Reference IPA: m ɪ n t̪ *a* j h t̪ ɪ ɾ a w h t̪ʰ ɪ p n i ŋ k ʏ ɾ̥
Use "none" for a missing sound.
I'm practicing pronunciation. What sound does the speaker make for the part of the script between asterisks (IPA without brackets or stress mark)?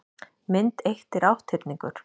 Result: e